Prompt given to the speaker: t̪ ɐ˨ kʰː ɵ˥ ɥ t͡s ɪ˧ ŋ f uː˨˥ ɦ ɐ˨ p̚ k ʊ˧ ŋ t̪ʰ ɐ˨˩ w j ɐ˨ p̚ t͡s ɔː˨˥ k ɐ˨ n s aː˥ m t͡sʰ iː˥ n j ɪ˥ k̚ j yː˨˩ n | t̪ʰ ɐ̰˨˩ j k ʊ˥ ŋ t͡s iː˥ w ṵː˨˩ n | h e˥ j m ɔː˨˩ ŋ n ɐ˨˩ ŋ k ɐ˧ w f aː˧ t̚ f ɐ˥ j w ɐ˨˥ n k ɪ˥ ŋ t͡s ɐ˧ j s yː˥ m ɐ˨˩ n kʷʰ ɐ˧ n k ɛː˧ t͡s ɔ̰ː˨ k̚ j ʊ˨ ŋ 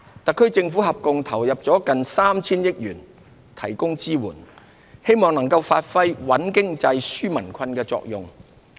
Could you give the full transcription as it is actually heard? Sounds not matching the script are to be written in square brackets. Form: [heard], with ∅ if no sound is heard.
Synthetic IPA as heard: t̪ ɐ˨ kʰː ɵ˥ ɥ t͡s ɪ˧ ŋ f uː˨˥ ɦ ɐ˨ p̚ k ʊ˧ ŋ t̪ʰ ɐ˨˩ w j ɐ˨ p̚ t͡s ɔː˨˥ k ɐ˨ n s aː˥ m t͡sʰ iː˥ n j ɪ˥ k̚ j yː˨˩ n | t̪ʰ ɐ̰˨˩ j k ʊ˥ ŋ t͡s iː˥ w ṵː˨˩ n | h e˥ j m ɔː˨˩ ŋ n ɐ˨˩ ŋ k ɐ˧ w f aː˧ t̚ f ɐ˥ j w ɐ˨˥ n k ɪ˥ ŋ t͡s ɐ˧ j s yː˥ m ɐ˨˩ n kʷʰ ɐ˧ n k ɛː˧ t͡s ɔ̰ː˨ k̚ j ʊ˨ ŋ